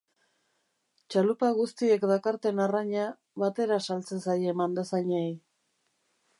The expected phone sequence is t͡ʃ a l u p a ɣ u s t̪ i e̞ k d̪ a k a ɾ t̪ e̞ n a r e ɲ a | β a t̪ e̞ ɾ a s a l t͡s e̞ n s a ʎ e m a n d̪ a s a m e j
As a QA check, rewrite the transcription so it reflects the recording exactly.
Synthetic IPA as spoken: t͡ʃ a l u p a ɣ u s t̪ i e̞ k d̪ a k a ɾ t̪ e̞ n a r a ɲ a | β a t̪ e̞ ɾ a s a l t͡s e̞ n s a j e m a n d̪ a s a ɲ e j